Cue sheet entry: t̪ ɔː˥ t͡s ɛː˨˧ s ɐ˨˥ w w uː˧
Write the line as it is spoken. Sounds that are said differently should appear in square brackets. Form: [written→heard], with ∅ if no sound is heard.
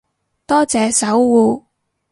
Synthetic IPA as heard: t̪ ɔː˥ t͡s ɛː˨˧ s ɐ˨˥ w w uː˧